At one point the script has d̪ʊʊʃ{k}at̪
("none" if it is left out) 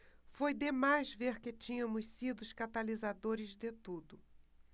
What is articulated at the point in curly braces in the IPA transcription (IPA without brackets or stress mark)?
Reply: k